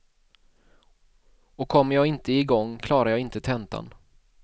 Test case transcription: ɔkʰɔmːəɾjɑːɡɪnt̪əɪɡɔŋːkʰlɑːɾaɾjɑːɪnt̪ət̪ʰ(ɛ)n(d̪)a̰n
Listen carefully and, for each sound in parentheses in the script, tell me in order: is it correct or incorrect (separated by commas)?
correct, incorrect